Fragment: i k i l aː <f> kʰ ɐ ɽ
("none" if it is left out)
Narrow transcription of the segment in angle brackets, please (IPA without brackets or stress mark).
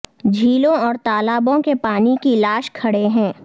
ʃ